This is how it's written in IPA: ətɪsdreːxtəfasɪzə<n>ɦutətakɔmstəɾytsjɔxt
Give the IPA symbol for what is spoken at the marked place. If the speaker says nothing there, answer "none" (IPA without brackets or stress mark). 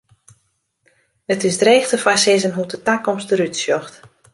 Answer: n